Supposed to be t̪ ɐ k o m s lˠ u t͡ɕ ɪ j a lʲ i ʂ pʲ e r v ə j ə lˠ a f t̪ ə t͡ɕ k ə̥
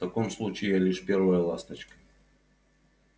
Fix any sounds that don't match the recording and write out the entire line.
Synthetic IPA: t̪ ɐ k o m s lˠ u t͡ɕ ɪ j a lʲ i ʂ pʲ e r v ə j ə lˠ a s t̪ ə t͡ɕ k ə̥